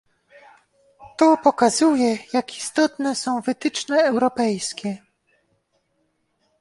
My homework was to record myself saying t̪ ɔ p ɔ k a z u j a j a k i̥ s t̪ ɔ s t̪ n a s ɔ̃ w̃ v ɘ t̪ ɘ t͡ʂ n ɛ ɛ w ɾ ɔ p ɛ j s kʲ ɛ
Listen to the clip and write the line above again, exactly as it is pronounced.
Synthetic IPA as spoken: t̪ ɔ p ɔ k a z u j ɛ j a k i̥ s t̪ ɔ t̪ n ɛ s ɔ̃ w̃ v ɘ t̪ ɘ t͡ʂ n ɛ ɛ w ɾ ɔ p ɛ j s kʲ ɛ

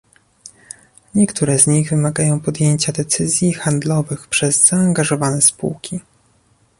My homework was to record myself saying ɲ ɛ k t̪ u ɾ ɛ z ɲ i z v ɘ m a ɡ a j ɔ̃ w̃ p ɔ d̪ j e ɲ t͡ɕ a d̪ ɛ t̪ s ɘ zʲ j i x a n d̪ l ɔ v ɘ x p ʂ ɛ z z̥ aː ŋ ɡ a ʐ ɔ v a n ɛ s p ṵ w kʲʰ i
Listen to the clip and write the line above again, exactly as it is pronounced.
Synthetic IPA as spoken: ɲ ɛ k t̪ u ɾ ɛ z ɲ i ɣ v ɘ m a ɡ a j ɔ̃ w̃ p ɔ d̪ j e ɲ t͡ɕ a d̪ ɛ t̪ s ɘ zʲ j i x a n d̪ l ɔ v ɘ x p ʂ ɛ z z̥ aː ŋ ɡ a ʐ ɔ v a n ɛ s p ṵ w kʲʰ i

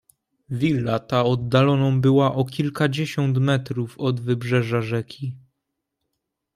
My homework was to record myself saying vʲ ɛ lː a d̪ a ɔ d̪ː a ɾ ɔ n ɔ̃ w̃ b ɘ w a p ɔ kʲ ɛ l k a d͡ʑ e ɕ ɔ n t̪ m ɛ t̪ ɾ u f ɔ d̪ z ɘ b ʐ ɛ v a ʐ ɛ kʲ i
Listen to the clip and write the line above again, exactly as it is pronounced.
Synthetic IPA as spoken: vʲ i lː a t̪ a ɔ d̪ː a l ɔ n ɔ̃ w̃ b ɘ w a ʔ ɔ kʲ i l k a d͡ʑ e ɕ ɔ n t̪ m ɛ t̪ ɾ u f ɔ d̪ v ɘ b ʐ ɛ ʐ a ʐ ɛ kʲ i

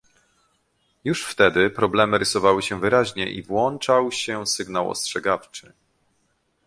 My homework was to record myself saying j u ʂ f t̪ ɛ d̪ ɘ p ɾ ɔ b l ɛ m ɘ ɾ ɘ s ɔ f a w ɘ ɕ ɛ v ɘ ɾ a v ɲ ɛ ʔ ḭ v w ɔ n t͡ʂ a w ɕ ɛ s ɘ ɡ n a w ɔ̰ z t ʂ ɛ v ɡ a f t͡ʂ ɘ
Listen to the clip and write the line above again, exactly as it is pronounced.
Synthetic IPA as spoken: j u ʂ f t̪ ɛ d̪ ɘ p ɾ ɔ b l ɛ m ɘ ɾ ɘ s ɔ v a w ɘ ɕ ɛ v ɘ ɾ a ʑ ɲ ɛ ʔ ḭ v w ɔ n t͡ʂ a w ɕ ɛ s ɘ ɡ n a w ɔ̰ s t ʂ ɛ ɡ a f t͡ʂ ɘ

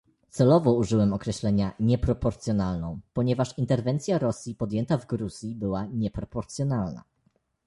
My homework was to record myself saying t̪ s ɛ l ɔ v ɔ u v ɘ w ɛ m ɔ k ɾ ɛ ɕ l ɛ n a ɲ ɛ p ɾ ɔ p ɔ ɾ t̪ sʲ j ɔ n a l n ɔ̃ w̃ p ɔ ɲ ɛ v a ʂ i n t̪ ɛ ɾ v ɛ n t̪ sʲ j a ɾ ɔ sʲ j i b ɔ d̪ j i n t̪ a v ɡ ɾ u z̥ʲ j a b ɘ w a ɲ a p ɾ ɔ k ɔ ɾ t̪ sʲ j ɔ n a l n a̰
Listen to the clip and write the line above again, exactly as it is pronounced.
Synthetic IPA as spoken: t̪ s ɛ l ɔ v ɔ u ʐ ɘ w ɛ m ɔ k ɾ ɛ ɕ l ɛ ɲ a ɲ ɛ p ɾ ɔ p ɔ ɾ t̪ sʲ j ɔ n a l n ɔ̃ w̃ p ɔ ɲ ɛ v a ʂ i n t̪ ɛ ɾ v ɛ n t̪ sʲ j a ɾ ɔ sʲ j i p ɔ d̪ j ɛ n t̪ a v ɡ ɾ u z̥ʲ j i b ɘ w a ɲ ɛ p ɾ ɔ p ɔ ɾ t̪ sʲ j ɔ n a l n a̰

